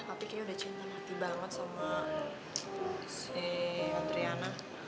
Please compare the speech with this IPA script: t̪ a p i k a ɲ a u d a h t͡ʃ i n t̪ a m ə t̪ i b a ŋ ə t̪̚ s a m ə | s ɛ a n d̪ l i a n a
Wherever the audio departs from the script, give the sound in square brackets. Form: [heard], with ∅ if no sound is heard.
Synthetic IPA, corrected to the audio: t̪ a p i k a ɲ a u d a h t͡ʃ i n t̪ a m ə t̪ i b a ŋ ə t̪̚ s a m [a] | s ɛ a n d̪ [ɾ] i a n a